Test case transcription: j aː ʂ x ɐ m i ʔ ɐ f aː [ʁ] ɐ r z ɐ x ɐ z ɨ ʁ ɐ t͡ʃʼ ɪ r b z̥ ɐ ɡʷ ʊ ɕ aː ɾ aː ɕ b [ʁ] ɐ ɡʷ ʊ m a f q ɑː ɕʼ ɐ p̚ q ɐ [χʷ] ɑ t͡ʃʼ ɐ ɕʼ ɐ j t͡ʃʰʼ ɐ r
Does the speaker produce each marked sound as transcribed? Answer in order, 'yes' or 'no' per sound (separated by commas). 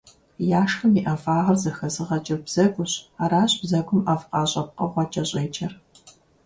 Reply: yes, no, no